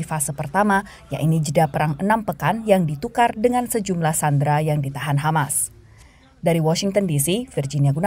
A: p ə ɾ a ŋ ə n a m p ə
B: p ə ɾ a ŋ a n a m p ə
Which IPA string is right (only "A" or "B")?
A